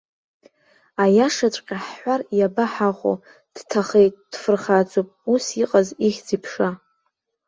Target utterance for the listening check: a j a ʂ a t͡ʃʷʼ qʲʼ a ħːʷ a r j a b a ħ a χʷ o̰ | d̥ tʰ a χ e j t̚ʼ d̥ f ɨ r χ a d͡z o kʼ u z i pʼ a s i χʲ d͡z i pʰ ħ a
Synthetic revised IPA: a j a ʂ a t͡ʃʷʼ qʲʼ a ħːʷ a r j a b a ħ a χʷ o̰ | d̥ tʰ a χ e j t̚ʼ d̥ f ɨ r χ a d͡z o pʼ u s i qʼ a z i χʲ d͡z i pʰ ʂ a